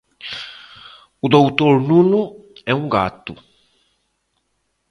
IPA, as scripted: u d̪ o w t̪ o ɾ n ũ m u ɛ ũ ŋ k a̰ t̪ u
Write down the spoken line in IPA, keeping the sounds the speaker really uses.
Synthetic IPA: u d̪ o w t̪ o ɾ n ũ n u ɛ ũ ŋ ɡ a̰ t̪ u